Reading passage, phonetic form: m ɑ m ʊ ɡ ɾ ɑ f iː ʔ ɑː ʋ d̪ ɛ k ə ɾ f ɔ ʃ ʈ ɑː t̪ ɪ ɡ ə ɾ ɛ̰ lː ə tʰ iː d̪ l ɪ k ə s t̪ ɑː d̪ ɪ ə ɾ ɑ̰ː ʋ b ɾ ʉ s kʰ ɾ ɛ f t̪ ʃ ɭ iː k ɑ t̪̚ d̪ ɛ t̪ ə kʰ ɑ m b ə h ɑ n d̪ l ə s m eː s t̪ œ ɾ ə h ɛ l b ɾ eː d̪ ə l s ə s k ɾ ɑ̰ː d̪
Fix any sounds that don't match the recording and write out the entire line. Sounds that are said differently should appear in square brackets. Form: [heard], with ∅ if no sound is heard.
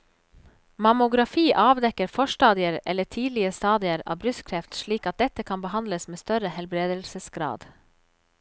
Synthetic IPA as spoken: m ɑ m ʊ ɡ ɾ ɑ f iː ʔ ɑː ʋ d̪ ɛ k ə ɾ f ɔ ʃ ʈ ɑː [d̪] ɪ [∅] ə ɾ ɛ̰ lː ə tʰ iː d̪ l ɪ [∅] ə s t̪ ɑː d̪ ɪ ə ɾ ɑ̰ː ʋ b ɾ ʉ s kʰ ɾ ɛ f t̪ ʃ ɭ iː k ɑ t̪̚ d̪ ɛ t̪ ə kʰ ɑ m b ə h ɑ n d̪ l ə s m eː s t̪ œ ɾ ə h ɛ l b ɾ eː d̪ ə l s ə s [ɡ] ɾ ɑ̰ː d̪